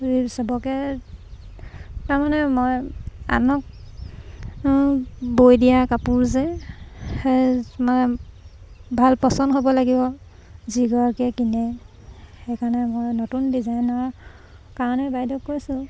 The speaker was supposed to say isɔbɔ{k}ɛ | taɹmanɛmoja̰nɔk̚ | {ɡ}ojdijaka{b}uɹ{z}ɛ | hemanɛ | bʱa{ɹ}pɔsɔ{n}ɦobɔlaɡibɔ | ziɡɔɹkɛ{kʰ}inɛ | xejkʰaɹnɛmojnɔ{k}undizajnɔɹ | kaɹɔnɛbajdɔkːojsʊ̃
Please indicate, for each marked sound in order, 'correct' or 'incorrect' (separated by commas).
correct, incorrect, incorrect, correct, incorrect, correct, incorrect, incorrect